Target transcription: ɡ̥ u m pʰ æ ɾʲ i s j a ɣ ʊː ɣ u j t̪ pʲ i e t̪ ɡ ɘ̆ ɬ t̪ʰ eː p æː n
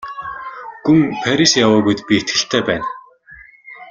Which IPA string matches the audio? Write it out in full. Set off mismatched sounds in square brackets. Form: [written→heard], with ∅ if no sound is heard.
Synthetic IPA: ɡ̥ u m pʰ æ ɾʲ i s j a [ɣ→w] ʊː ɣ u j t̪ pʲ i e t̪ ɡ ɘ̆ ɬ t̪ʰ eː p æː n